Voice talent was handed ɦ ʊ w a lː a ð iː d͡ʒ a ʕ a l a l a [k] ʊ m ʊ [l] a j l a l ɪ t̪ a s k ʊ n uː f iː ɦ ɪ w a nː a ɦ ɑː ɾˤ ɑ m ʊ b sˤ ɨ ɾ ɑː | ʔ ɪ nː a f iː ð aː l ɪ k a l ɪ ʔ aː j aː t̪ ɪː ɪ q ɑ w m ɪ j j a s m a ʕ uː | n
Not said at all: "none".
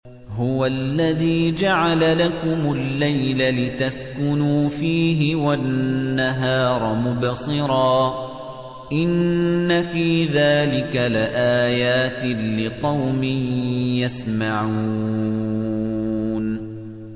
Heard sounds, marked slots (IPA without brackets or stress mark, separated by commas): k, lː